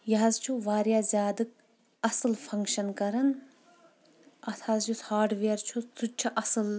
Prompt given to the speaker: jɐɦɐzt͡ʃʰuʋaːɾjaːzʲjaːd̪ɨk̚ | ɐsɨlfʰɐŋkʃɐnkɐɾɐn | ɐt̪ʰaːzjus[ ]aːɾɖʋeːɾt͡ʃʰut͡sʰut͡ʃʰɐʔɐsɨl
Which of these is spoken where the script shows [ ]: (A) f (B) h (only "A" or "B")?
B